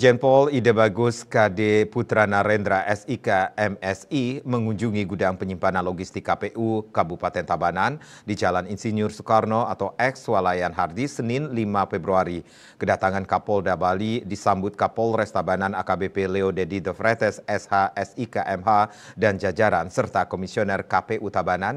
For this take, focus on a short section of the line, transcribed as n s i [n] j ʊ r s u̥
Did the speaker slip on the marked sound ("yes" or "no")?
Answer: no